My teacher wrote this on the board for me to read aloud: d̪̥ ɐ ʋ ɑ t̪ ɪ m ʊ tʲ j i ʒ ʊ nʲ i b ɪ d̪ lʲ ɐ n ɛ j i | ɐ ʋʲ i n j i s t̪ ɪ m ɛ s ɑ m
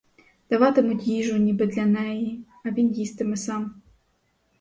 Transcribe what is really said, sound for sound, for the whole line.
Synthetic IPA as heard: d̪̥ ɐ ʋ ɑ t̪ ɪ m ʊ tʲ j i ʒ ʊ nʲ i b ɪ d̪ lʲ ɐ n ɛ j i | ɐ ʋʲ i n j i s t̪ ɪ m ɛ s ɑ m

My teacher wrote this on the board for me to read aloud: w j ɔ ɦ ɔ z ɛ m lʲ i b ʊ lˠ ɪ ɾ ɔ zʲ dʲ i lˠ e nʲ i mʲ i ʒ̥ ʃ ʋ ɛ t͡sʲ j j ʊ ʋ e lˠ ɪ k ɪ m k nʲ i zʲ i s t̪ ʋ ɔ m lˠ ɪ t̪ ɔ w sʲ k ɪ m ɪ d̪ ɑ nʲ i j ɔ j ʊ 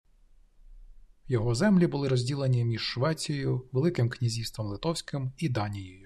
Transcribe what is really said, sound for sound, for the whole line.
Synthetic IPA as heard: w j ɔ ɦ ɔ z ɛ m lʲ i b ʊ lˠ ɪ ɾ ɔ zʲ dʲ i lˠ e nʲ i mʲ i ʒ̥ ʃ ʋ ɛ t͡sʲ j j ʊ ʋ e lˠ ɪ k ɪ m k nʲ i zʲ i s t̪ ʋ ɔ m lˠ ɪ t̪ ɔ w sʲ k ɪ m i d̪ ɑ nʲ i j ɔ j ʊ

